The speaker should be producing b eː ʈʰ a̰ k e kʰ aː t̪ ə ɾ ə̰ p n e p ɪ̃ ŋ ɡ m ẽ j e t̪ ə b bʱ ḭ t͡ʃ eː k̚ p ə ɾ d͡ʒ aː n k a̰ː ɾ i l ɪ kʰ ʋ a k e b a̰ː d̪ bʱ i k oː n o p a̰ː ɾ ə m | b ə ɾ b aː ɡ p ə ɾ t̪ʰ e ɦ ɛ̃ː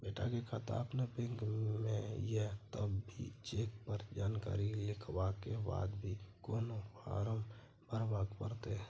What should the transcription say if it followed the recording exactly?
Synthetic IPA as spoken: b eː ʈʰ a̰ k e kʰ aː t̪ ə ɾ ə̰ p n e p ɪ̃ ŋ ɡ m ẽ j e t̪ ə b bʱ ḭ t͡ʃ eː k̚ p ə ɾ d͡ʒ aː n k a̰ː ɾ i l ɪ kʰ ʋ a k e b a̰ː d̪ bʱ i k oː n o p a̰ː ɾ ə m | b ə ɾ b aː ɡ p ə ɾ t̪ e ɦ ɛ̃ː